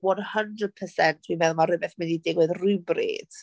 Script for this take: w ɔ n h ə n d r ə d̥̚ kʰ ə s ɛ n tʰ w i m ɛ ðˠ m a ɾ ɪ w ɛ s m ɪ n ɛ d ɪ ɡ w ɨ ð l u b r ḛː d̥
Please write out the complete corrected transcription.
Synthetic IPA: w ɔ n h ə n d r ə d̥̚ pʰ ə s ɛ n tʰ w i m ɛ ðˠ m a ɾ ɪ b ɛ θ m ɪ n i d ɪ ɡ w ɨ ð r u b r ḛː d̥